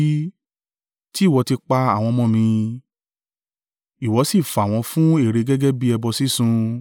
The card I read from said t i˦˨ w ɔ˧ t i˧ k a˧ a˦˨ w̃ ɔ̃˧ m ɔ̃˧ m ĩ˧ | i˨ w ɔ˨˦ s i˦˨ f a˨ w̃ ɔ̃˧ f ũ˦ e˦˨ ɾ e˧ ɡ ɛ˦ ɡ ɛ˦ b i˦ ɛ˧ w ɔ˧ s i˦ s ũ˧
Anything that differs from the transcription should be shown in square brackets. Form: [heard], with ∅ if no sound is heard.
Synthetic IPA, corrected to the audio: t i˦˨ w ɔ˧ t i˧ [k͡p] a˧ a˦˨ w̃ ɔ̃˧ m ɔ̃˧ m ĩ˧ | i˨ w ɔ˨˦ s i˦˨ f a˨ w̃ ɔ̃˧ f ũ˦ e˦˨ ɾ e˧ ɡ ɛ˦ ɡ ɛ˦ b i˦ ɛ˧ [b] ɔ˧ s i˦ s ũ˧

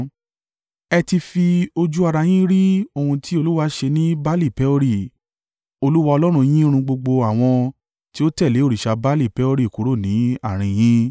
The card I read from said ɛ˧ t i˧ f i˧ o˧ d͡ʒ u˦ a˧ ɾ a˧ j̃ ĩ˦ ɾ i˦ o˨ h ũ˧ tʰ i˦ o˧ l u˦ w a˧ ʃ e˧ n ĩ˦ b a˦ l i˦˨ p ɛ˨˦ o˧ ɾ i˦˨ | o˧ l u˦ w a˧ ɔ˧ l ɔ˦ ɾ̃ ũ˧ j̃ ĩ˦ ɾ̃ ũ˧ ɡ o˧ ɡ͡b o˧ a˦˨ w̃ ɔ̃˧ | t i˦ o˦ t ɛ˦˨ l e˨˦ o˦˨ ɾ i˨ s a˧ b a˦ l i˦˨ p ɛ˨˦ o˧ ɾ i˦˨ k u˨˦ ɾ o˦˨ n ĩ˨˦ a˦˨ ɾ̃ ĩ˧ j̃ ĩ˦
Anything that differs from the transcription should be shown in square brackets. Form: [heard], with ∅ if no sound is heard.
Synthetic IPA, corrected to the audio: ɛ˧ t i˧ f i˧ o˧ d͡ʒ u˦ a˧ ɾ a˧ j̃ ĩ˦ ɾ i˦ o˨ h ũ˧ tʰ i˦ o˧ l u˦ w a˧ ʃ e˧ n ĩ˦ b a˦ l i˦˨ p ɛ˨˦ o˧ ɾ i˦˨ | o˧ l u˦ w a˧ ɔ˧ l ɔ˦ ɾ̃ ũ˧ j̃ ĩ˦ ɾ̃ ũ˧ [ɡ͡b] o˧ ɡ͡b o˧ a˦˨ w̃ ɔ̃˧ | t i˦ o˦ t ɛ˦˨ l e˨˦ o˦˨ ɾ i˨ [ʃ] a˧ b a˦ l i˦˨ p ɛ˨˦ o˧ ɾ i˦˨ k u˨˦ ɾ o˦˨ n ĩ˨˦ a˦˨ ɾ̃ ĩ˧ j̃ ĩ˦

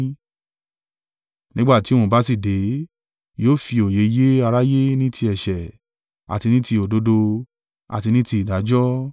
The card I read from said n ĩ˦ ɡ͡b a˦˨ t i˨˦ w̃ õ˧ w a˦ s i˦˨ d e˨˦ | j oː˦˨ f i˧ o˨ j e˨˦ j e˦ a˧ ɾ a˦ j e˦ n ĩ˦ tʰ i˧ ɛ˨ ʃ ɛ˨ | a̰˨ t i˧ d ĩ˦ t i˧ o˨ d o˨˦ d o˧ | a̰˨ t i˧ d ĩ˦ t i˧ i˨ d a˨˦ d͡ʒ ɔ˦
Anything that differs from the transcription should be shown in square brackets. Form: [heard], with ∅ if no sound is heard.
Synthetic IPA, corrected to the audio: n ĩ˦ ɡ͡b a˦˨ t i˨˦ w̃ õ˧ [b] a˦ s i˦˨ d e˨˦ | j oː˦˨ f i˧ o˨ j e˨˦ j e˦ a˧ ɾ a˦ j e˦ n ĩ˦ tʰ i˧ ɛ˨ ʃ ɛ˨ | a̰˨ t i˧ [n] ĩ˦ t i˧ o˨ d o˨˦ d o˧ | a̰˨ t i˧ [n] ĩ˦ t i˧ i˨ d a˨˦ d͡ʒ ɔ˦

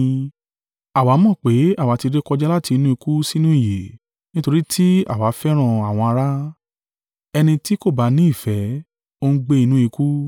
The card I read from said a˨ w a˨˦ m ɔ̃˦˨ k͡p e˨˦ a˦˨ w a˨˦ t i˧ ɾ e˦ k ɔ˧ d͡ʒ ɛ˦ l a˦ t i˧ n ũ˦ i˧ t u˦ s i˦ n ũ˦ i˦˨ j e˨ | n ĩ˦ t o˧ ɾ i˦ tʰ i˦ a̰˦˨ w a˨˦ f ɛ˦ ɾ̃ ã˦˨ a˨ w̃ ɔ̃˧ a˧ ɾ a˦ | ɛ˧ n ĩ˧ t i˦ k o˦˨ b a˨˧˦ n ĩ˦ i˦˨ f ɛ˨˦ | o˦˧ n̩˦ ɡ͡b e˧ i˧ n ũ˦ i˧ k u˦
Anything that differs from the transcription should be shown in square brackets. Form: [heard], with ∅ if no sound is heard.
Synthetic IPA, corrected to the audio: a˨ w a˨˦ m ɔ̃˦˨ k͡p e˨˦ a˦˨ w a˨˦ t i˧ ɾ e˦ k ɔ˧ d͡ʒ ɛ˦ l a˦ t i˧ n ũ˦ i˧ [k] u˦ s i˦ n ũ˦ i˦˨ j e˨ | n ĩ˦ t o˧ ɾ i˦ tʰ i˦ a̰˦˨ w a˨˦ f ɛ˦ ɾ̃ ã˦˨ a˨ w̃ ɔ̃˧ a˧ ɾ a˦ | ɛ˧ n ĩ˧ t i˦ k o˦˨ b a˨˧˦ n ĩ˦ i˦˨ f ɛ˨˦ | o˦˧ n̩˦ ɡ͡b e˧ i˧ n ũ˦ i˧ k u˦

